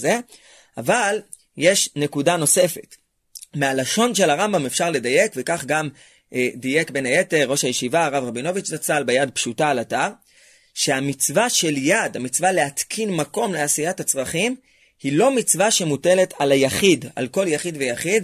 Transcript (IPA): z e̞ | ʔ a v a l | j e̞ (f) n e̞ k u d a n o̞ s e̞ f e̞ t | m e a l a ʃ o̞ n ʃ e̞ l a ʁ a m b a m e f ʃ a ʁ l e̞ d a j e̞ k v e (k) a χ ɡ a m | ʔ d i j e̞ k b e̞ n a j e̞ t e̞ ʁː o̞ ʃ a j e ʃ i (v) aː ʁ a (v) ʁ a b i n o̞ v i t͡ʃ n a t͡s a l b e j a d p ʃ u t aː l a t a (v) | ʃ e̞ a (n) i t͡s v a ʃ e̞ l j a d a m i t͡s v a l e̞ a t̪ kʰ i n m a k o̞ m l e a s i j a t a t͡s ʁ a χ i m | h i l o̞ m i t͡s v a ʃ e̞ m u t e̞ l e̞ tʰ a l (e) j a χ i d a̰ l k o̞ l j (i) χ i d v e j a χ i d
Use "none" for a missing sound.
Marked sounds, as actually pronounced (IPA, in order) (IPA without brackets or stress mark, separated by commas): ʃ, k, v, v, ʁ, m, a, a